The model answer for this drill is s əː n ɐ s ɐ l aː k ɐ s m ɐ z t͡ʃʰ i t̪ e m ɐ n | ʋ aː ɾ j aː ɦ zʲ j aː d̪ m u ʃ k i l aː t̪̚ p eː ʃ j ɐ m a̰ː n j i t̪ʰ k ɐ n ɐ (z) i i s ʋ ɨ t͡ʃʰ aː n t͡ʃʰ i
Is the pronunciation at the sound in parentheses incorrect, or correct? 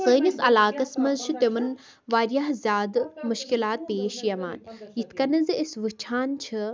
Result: correct